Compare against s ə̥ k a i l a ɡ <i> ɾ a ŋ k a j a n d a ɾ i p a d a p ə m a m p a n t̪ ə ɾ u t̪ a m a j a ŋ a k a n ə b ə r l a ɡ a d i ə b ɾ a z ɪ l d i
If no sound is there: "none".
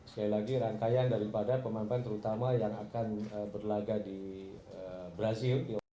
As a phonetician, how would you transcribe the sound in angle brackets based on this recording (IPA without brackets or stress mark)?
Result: i